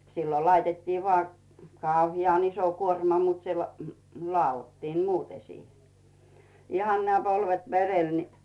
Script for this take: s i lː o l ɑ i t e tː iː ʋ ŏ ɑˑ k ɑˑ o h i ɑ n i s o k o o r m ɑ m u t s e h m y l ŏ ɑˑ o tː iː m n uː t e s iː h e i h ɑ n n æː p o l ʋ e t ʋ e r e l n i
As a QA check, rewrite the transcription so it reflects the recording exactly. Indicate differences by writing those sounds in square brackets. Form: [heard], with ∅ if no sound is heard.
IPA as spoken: s i lː o l ɑ i t e tː iː ʋ ŏ ɑˑ k ɑˑ [u] h i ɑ n i s o k [u] o r m ɑ m u t s e h m y l ŏ ɑˑ o tː iː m [m] uː t e s iː h e i h ɑ n n æː p o l ʋ e t ʋ e r e l n i